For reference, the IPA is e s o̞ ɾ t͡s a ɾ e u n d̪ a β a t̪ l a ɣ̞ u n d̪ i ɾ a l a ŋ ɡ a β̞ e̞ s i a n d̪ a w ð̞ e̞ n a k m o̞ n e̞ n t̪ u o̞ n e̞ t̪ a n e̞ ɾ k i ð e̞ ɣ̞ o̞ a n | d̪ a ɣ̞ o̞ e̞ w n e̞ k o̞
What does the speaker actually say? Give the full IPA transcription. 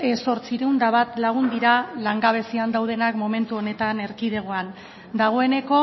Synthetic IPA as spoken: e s o̞ ɾ t͡s i ɾ e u n d̪ a β a t̪ l a ɣ̞ u n d̪ i ɾ a l a ŋ ɡ a β̞ e̞ s i a n d̪ a w ð̞ e̞ n a k m o̞ m e̞ n t̪ u o̞ n e̞ t̪ a n e̞ ɾ k i ð e̞ ɣ̞ o̞ a n | d̪ a ɣ̞ o̞ e̞ n e̞ k o̞